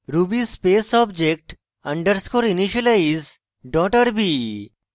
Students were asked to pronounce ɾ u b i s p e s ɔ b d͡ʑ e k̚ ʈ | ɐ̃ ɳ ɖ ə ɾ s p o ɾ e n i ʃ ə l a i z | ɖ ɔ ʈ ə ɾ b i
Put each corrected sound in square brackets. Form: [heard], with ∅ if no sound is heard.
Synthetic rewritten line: ɾ u b i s p e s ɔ b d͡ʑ e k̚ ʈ | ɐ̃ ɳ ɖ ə ɾ s [k] o ɾ [i] n i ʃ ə l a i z | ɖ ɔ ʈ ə ɾ b i